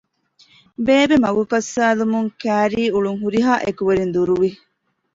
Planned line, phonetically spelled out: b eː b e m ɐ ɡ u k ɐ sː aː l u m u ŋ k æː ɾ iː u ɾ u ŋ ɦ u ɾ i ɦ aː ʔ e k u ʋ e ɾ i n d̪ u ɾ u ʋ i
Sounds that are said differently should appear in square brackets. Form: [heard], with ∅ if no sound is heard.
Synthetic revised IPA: b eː b e m ɐ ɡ u k ɐ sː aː l u m u ŋ k æː ɾ iː u [ɭ] u ŋ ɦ u ɾ i ɦ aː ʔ e k u ʋ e ɾ i n d̪ u ɾ u ʋ i